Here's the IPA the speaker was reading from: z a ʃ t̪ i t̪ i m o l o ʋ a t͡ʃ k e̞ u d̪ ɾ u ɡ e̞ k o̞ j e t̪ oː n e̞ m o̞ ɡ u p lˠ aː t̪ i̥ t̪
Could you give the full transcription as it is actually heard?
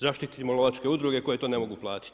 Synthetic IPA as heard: z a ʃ t̪ i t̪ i m o l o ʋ a t͡ʃ k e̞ u d̪ ɾ u ɡ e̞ k o̞ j e t̪ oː n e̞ m o̞ ɡ u p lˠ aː t̪ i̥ t̪